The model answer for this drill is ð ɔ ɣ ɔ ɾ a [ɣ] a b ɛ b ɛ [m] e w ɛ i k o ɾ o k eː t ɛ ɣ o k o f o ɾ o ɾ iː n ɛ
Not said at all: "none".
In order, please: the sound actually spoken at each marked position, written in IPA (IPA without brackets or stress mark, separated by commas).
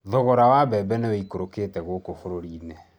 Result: w, n